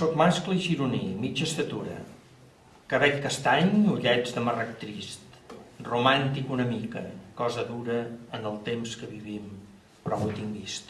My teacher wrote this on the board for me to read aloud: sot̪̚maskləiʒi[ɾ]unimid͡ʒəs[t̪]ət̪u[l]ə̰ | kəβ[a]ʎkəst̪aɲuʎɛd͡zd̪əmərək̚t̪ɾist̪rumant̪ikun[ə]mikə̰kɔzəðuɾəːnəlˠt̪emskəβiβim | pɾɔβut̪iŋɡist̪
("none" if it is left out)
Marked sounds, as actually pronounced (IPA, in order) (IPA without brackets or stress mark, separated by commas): ɾ, t̪, ɾ, ɛ, ə